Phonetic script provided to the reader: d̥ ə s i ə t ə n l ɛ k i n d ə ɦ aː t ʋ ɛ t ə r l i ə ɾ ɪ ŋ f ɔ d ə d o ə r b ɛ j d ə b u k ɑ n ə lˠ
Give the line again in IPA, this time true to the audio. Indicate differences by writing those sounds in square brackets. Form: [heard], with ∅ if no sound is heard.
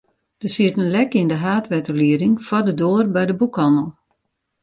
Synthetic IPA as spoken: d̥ ə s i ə t ə n l ɛ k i n d ə ɦ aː t ʋ ɛ t ə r l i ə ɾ ɪ ŋ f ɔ d ə d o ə r b ɛ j d ə b u k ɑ n ə lˠ